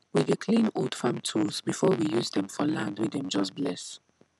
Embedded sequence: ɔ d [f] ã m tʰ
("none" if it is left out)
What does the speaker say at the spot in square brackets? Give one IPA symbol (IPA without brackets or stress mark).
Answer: f